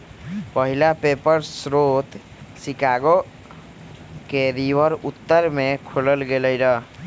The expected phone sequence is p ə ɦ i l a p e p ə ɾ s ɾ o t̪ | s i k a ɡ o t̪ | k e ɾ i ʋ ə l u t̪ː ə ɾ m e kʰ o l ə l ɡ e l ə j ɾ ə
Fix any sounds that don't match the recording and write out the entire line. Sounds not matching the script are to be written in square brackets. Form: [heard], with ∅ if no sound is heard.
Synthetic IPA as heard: p ə ɦ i l a p e p ə ɾ s ɾ o t̪ | s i k a ɡ o [∅] | k e ɾ i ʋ ə [ɾ] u t̪ː ə ɾ m e kʰ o l ə l ɡ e l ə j ɾ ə